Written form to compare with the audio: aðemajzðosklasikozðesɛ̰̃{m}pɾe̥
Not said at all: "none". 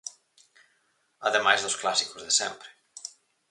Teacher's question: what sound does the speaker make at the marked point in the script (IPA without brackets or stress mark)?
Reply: m